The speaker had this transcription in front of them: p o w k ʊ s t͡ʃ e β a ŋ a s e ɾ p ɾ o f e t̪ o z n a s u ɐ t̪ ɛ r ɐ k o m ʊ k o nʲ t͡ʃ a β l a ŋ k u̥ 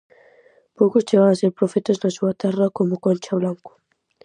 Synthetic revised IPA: p o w k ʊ s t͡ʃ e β a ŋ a s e ɾ p ɾ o f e t̪ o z n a s u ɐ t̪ ɛ r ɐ k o m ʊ k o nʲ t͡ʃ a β l a ŋ k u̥